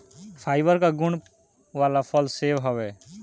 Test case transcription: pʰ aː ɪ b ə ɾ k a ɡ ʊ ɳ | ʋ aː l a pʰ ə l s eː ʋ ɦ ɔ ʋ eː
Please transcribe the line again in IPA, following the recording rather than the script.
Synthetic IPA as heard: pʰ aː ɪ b ə ɾ k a ɡ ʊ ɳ | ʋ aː l a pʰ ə l s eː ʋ ɦ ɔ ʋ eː

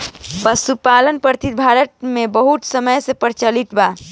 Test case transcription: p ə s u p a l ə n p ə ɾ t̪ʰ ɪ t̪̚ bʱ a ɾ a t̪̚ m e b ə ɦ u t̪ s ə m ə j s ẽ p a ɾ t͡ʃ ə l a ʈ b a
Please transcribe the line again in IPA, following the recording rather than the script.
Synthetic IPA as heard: p ə s u p a l ə n p ə ɾ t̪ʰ i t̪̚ bʱ a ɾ ə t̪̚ m e b ə ɦ u t̪ s ə m ə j s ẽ p ə ɾ t͡ʃ ə l i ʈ b a

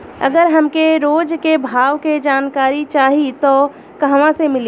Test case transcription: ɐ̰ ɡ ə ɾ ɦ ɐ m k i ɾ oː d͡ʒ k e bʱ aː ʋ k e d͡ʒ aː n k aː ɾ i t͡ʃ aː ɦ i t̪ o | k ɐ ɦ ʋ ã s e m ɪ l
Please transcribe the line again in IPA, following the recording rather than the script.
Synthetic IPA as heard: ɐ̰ ɡ ə ɾ ɦ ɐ m k e ɾ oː d͡ʒ k e bʱ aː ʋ k e d͡ʒ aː n k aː ɾ i t͡ʃ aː ɦ i t̪ o | k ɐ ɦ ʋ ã s e m ɪ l

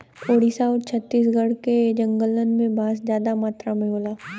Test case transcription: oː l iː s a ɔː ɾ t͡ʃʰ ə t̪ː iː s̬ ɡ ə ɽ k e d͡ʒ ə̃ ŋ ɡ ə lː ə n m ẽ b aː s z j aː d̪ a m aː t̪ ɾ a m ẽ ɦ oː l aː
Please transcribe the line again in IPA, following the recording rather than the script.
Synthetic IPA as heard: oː ɽ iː s a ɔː ɾ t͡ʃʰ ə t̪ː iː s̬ ɡ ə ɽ k e d͡ʒ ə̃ ŋ ɡ ə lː ə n m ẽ b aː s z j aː d̪ a m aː t̪ ɾ a m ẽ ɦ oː l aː

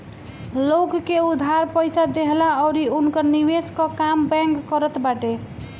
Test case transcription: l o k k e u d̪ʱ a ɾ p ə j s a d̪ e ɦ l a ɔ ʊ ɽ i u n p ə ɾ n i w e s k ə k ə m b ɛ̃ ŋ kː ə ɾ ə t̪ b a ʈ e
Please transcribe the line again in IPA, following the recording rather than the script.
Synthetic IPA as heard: l o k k e u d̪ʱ a ɾ p ə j s a d̪ e ɦ l a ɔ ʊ ɾ i u n k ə ɾ n i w e s k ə k a m b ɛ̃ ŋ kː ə ɾ ə t̪ b a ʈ e

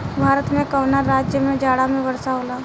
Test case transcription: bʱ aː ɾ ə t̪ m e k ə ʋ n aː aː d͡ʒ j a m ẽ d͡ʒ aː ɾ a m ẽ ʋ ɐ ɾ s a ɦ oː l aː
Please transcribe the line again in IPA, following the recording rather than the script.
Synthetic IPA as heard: bʱ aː ɾ ə t̪ m ẽ k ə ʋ n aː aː d͡ʒ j ə m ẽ d͡ʒ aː ɽ a m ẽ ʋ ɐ ɾ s a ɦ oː l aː

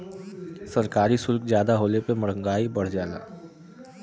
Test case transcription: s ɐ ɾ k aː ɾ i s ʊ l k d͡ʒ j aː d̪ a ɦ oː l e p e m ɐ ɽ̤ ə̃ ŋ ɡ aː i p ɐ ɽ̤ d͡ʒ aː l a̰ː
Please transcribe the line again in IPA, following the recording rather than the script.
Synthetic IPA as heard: s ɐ ɾ k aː ɾ i s ʊ l k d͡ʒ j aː d̪ a ɦ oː l e p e m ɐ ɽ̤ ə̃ ŋ ɡ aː i b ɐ ɽ̤ d͡ʒ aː l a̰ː

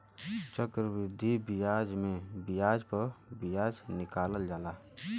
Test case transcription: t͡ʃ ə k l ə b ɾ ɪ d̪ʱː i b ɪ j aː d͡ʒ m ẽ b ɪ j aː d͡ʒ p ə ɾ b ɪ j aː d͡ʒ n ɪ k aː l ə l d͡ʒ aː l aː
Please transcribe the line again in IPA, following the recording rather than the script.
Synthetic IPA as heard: t͡ʃ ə k ɾ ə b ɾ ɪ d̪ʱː i b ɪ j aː d͡ʒ m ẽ b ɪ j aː d͡ʒ p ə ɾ b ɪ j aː d͡ʒ n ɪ k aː l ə l d͡ʒ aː l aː

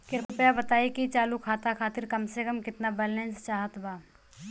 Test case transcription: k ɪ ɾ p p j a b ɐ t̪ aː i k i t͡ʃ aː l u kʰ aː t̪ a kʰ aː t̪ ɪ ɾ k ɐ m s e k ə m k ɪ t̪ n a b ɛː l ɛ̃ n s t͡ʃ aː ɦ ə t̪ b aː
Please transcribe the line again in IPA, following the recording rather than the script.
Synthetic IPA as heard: k ɪ ɾ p p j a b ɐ t̪ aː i k i t͡ʃ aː l u kʰ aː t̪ a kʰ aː t̪ ɪ ɾ k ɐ m s e k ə m k ɪ t̪ n a b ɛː l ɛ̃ n s t͡ʃ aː ɦ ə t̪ b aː

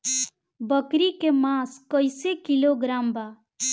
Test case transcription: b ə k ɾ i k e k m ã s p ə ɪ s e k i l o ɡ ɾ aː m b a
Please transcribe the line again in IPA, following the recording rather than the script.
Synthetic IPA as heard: b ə k ɾ i k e m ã s k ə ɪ s e k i l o ɡ ɾ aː m b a

